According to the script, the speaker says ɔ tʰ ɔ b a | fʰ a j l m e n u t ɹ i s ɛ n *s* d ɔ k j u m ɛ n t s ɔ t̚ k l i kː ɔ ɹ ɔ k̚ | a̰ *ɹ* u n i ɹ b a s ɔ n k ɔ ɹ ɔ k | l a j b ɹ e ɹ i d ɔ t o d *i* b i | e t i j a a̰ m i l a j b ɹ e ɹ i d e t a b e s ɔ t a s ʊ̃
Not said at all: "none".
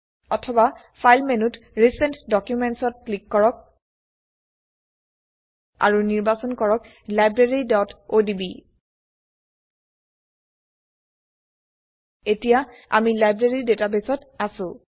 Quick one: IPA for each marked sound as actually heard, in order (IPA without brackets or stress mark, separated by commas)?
t, ɹ, i